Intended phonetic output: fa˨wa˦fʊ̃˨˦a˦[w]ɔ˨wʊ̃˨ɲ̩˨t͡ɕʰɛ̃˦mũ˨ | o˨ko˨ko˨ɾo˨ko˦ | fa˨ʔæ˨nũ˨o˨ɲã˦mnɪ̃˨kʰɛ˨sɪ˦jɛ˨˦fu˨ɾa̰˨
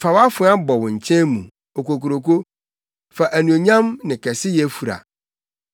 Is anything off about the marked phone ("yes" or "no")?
yes